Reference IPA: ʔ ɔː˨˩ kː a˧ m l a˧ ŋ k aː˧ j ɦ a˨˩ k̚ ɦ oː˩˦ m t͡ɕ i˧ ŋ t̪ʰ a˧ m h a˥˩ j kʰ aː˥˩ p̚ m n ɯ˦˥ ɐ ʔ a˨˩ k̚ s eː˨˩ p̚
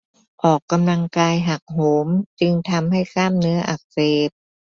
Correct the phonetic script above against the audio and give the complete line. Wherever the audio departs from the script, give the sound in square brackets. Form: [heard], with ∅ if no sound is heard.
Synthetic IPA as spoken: ʔ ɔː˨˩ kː a˧ m l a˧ ŋ k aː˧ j ɦ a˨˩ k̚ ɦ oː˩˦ m t͡ɕ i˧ ŋ t̪ʰ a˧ m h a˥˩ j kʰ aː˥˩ [∅] m n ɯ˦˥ ɐ ʔ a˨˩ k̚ s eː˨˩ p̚

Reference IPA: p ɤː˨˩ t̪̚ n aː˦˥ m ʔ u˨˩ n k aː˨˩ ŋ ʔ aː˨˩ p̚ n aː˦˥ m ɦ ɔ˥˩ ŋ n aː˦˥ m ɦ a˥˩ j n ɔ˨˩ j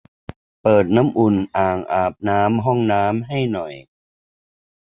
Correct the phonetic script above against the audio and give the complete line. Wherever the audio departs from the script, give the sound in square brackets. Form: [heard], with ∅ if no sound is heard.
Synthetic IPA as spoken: p ɤː˨˩ t̪̚ n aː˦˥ m ʔ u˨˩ n [ʔ] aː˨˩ ŋ ʔ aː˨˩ p̚ n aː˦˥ m ɦ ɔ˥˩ ŋ n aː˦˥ m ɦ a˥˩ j n ɔ˨˩ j

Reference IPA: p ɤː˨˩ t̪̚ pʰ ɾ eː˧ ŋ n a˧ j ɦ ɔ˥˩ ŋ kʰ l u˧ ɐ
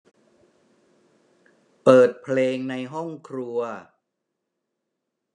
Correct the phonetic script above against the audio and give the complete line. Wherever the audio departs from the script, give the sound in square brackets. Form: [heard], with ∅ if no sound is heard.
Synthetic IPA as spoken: p ɤː˨˩ t̪̚ pʰ [l] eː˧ ŋ n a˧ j ɦ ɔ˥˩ ŋ kʰ [ɾ] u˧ ɐ

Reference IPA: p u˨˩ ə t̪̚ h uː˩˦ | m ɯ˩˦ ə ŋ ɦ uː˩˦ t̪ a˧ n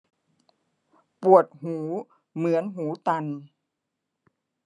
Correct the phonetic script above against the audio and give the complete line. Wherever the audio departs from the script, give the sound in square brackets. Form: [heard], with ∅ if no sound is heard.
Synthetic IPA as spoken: p u˨˩ ə t̪̚ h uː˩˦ | m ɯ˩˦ ə [n] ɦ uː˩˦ t̪ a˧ n

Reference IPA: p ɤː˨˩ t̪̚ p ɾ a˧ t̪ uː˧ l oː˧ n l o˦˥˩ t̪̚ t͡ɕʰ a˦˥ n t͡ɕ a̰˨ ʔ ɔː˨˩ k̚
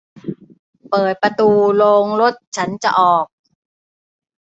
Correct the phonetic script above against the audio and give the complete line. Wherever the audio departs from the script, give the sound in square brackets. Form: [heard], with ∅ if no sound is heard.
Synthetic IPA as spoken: p ɤː˨˩ t̪̚ p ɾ a˧ t̪ uː˧ l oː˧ [ŋ] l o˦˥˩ t̪̚ t͡ɕʰ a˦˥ n t͡ɕ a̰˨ ʔ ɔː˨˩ k̚

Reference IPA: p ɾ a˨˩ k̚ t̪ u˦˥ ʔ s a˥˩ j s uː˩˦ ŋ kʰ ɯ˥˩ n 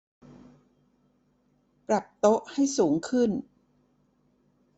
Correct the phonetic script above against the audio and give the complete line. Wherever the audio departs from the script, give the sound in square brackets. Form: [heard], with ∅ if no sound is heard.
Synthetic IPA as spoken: p ɾ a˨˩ [p̚] t̪ [o˦˥] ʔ [h] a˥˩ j s uː˩˦ ŋ kʰ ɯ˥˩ n

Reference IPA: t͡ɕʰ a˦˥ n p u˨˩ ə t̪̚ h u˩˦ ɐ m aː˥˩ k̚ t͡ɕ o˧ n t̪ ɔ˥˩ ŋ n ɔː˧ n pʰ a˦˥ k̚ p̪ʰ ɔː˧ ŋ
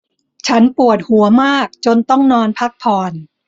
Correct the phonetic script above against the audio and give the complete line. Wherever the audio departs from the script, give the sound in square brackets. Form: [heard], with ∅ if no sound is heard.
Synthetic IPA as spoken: t͡ɕʰ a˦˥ n p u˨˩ ə t̪̚ h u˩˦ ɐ m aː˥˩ k̚ t͡ɕ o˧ n t̪ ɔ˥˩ ŋ n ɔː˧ n pʰ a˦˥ k̚ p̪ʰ ɔː˧ [n]

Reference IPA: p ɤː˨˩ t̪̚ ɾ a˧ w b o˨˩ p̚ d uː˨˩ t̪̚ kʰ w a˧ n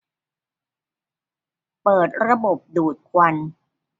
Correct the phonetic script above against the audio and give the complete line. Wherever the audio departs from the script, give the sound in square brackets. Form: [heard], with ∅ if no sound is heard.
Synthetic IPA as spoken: p ɤː˨˩ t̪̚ ɾ a˧ [∅] b o˨˩ p̚ d uː˨˩ t̪̚ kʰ w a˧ n

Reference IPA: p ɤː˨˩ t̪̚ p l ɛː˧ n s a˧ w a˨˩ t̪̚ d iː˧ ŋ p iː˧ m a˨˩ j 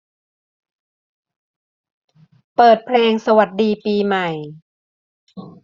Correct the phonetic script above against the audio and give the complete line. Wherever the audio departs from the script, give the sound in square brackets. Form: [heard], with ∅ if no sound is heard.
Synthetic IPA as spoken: p ɤː˨˩ t̪̚ [pʰ] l ɛː˧ [ŋ] s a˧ w a˨˩ t̪̚ d iː˧ [∅] p iː˧ m a˨˩ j

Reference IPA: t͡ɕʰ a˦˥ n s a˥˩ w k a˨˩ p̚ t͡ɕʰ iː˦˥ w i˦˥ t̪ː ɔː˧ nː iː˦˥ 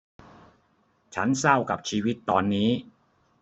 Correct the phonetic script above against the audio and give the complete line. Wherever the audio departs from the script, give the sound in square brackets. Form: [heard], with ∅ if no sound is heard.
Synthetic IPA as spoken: t͡ɕʰ a˦˥ n s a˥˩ w k a˨˩ p̚ t͡ɕʰ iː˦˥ w i˦˥ t̪ː ɔː˧ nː iː˦˥

